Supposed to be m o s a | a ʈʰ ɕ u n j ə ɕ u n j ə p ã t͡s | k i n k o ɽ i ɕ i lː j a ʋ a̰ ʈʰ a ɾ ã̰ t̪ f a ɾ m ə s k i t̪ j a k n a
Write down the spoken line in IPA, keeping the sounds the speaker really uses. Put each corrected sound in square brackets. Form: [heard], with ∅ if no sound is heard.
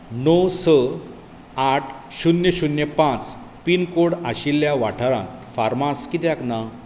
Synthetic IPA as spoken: [n] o s [ə] | a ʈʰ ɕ u n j ə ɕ u n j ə p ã t͡s | [p] i n k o ɽ [a] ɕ i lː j a ʋ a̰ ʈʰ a ɾ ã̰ t̪ f a ɾ m [a] s k i t̪ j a k n a

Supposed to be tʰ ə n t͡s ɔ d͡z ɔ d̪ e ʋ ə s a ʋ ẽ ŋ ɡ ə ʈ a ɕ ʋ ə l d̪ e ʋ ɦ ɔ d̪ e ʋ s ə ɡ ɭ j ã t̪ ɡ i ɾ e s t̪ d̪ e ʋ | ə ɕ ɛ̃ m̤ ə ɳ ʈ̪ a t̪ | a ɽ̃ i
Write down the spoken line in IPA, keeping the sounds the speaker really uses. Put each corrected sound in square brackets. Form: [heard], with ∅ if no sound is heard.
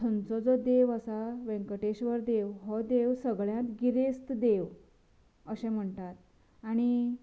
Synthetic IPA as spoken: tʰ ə n t͡s ɔ d͡z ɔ d̪ e ʋ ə s a ʋ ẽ ŋ [k] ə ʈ [e] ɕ ʋ ə [ɾ] d̪ e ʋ ɦ ɔ d̪ e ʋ s ə ɡ ɭ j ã t̪ ɡ i ɾ e s t̪ d̪ e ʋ | ə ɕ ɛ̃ m̤ ə ɳ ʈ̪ a t̪ | a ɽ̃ i

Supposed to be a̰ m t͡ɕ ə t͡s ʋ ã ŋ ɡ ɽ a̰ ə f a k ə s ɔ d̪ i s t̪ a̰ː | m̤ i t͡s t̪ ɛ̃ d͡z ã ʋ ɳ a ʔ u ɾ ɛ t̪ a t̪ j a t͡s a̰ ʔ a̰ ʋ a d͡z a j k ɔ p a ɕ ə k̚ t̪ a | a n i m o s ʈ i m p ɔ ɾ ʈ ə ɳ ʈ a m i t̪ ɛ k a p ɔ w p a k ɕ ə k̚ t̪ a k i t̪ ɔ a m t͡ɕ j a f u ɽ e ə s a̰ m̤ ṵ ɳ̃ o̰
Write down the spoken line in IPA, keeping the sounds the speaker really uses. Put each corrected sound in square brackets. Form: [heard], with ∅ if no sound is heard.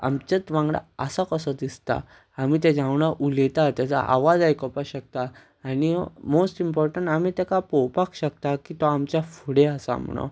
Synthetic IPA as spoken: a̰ m t͡ɕ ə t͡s ʋ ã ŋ ɡ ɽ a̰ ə [s] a k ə s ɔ d̪ i s t̪ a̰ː | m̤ i [∅] t̪ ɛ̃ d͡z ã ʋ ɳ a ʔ u [l] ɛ t̪ a t̪ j a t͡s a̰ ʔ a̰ ʋ a d͡z a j k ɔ p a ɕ ə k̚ t̪ a | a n i m o s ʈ i m p ɔ ɾ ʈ ə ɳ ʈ a m i t̪ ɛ k a p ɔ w p a k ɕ ə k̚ t̪ a k i t̪ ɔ a m t͡ɕ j a f u ɽ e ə s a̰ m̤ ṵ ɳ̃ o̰

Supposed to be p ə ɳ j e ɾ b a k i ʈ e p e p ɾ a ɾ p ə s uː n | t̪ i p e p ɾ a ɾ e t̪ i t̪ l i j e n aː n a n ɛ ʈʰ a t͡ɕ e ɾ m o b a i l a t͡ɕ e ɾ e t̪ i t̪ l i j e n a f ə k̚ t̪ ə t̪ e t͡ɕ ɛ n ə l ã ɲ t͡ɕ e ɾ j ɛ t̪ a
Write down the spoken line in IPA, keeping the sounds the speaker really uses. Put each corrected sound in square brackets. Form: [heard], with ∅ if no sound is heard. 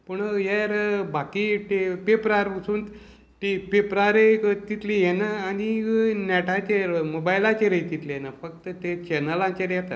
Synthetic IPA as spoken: p ə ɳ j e ɾ b a k i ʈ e p e p ɾ a ɾ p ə s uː n | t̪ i p e p ɾ a ɾ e t̪ i t̪ l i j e n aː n [i] n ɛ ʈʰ a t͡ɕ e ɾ m o b a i l a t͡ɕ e ɾ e t̪ i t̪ l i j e n a f ə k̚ t̪ ə t̪ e t͡ɕ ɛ n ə l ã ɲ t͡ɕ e ɾ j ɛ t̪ a

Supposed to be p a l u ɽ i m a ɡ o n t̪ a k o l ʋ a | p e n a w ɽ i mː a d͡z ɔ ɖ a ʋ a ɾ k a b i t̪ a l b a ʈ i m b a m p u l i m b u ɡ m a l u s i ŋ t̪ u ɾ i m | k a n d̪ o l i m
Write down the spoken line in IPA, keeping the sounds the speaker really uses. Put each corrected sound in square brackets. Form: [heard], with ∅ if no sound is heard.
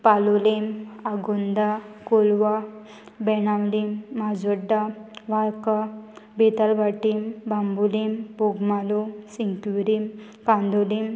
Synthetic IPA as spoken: p a l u [l] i m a ɡ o n [d̪] a k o l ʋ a | [b] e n a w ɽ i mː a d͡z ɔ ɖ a ʋ a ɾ k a b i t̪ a l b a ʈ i m b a m [b] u l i m b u ɡ m a l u s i ŋ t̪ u ɾ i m | k a n d̪ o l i m

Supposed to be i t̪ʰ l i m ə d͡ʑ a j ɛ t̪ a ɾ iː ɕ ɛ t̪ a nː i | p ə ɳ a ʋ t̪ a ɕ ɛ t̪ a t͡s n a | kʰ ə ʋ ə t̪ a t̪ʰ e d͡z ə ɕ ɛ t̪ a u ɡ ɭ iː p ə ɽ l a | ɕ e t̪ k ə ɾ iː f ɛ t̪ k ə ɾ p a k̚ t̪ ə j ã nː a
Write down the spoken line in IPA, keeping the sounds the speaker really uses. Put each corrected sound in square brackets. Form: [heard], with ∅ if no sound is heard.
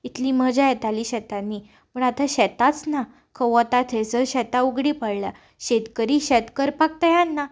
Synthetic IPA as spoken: i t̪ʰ l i m ə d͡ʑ a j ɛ t̪ a [l] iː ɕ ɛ t̪ a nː i | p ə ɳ a [∅] t̪ a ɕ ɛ t̪ a t͡s n a | kʰ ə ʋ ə t̪ a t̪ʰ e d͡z ə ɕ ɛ t̪ a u ɡ [ɽ] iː p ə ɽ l a | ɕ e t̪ k ə ɾ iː [ɕ] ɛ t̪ k ə ɾ p a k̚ t̪ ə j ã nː a

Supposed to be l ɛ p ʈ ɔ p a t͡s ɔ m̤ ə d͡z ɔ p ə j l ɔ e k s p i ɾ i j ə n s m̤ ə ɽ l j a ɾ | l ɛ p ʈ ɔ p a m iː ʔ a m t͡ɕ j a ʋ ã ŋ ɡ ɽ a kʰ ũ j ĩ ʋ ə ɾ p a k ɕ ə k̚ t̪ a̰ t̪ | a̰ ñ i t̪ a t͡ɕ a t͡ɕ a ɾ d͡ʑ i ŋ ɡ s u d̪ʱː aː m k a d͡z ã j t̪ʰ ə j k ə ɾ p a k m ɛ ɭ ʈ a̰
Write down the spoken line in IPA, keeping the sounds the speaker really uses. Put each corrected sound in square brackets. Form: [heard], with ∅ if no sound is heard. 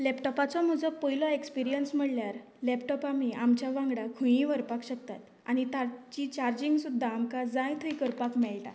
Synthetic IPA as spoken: l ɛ p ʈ ɔ p a t͡s ɔ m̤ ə d͡z ɔ p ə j l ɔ e k s p i ɾ i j ə n s m̤ ə ɽ l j a ɾ | l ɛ p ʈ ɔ p a m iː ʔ a m t͡ɕ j a ʋ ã ŋ ɡ ɽ a kʰ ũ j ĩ ʋ ə ɾ p a k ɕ ə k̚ t̪ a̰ t̪ | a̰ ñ i t̪ a t͡ɕ [i] t͡ɕ a ɾ d͡ʑ i ŋ ɡ s u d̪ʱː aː m k a d͡z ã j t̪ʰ ə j k ə ɾ p a k m ɛ ɭ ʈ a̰

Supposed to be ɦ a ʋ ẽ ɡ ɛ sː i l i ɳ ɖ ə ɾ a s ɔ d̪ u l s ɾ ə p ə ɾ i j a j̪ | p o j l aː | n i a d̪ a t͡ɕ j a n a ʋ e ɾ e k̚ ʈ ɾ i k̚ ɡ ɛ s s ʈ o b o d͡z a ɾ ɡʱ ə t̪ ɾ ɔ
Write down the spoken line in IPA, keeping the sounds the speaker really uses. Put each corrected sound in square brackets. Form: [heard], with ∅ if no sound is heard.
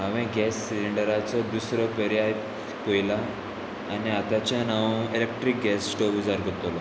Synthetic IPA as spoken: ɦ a ʋ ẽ ɡ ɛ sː i l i ɳ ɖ ə ɾ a [t͡s] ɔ d̪ u [∅] s ɾ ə p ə ɾ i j a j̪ | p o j l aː | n i a [t̪] a t͡ɕ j a n a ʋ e [l] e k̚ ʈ ɾ i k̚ ɡ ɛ s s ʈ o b [u] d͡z a ɾ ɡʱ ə t̪ [l] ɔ

